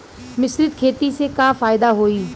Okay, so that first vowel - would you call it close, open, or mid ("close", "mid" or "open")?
close